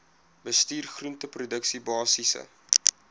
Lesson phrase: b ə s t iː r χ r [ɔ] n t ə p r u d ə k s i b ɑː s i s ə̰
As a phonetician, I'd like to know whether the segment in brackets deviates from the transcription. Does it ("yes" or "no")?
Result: yes